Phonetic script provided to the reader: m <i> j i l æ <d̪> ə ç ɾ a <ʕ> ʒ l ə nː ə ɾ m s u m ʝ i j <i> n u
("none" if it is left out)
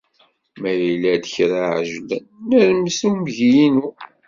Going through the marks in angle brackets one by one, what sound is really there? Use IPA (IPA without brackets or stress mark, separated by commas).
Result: æ, d̪, ʕ, i